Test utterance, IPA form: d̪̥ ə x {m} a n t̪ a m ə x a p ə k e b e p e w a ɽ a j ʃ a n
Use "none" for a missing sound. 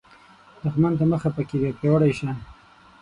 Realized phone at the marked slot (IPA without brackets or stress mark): m